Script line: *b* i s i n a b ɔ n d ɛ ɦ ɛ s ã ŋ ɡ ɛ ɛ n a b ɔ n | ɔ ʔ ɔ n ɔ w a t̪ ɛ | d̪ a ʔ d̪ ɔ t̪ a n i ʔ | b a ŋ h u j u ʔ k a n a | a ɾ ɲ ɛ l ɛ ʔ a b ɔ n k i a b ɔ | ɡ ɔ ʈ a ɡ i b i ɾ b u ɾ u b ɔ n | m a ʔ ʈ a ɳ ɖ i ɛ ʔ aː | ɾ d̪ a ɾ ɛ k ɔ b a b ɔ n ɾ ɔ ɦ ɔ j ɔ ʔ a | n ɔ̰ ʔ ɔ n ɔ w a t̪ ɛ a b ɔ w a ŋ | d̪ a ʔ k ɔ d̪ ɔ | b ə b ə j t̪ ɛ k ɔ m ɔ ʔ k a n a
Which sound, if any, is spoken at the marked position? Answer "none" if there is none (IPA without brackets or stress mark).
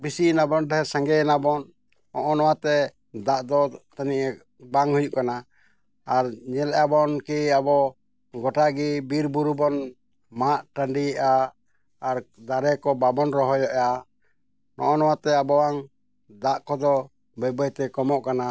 b